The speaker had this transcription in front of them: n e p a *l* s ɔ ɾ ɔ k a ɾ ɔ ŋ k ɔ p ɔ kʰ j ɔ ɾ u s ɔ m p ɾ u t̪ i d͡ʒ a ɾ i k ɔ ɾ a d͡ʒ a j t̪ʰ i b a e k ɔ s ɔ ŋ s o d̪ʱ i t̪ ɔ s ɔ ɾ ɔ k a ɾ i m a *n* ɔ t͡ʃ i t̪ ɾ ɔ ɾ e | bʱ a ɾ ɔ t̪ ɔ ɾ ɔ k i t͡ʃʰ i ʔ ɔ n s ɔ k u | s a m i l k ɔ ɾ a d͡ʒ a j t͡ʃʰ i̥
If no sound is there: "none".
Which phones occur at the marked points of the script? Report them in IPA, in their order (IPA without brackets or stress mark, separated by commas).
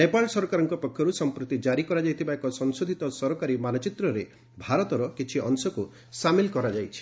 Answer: l, n